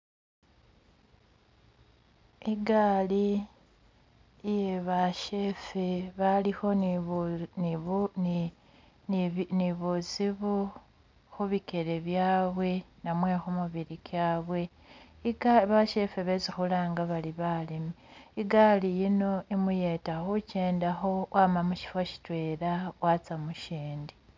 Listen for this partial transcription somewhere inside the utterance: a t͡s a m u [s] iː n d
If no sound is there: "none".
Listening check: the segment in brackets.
ʃ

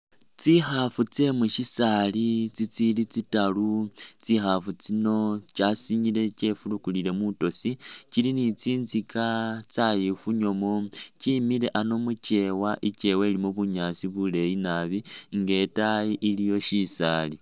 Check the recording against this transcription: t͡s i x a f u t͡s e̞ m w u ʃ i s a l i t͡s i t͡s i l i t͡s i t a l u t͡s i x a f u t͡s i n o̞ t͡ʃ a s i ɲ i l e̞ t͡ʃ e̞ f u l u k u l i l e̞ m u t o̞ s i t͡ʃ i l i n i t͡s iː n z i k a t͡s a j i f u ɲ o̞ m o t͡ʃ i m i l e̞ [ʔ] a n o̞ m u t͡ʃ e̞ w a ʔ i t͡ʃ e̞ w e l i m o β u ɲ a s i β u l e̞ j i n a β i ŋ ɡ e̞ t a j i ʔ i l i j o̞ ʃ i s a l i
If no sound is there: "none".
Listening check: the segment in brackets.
ʔ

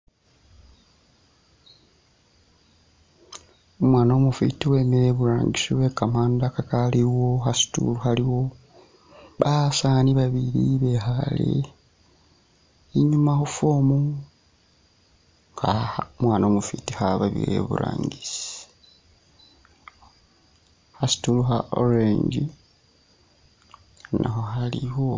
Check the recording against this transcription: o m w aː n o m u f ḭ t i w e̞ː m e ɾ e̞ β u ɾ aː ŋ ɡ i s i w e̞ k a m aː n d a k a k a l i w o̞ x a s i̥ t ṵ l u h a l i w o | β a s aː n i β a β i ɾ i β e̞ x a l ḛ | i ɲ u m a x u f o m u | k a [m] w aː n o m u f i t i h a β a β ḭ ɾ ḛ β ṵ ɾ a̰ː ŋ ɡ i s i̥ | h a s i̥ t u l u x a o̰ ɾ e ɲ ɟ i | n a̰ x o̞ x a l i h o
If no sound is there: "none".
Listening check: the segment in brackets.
m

